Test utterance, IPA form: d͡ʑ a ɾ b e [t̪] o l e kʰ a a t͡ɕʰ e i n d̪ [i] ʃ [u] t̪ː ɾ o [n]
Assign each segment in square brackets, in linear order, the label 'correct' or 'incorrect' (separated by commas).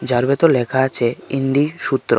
correct, correct, correct, incorrect